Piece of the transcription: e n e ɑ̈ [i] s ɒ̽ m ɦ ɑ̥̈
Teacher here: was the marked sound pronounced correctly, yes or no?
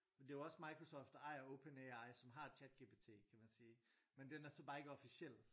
no